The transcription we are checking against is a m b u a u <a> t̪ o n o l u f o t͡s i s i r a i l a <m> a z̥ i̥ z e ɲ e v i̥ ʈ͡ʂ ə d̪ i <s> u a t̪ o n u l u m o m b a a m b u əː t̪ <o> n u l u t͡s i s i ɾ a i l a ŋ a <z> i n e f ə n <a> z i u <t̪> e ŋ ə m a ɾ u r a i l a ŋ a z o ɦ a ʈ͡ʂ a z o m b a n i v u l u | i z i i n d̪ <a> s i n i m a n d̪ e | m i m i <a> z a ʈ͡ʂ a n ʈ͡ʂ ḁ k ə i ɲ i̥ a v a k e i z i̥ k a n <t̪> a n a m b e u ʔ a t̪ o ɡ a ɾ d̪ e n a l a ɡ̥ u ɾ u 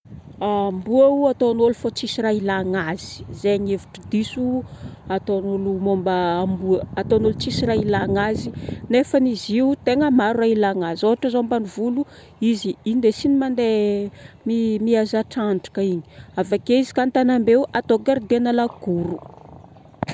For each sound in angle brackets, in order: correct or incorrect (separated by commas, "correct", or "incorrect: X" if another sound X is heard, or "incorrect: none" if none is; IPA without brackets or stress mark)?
correct, incorrect: ŋ, correct, correct, correct, incorrect: i, correct, incorrect: e, correct, correct